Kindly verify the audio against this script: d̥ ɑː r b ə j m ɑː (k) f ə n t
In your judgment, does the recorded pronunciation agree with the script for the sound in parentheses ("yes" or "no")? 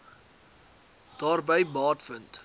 no